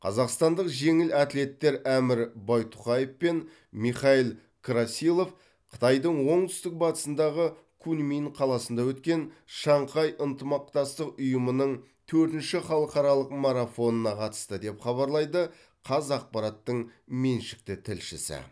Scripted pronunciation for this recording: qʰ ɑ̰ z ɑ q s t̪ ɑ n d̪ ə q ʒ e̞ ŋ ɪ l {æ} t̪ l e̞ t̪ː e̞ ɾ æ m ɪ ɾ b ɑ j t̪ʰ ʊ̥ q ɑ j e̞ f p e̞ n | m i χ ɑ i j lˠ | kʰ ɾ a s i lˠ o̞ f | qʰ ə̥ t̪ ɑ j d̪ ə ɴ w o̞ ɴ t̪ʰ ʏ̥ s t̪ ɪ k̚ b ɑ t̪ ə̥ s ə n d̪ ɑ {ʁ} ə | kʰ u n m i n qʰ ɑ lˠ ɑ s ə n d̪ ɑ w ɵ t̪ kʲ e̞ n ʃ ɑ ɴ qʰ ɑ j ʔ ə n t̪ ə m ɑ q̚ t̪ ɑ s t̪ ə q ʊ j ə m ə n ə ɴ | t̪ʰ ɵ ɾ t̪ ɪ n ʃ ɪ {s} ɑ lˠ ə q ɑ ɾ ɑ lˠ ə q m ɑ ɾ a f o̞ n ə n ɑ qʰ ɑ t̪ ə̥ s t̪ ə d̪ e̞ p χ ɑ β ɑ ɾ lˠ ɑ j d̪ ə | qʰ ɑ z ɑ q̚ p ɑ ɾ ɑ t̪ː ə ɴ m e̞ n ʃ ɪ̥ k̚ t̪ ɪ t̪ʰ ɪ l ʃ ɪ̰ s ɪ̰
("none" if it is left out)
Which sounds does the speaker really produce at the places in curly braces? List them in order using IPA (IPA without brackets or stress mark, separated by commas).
æ, ʁ, χ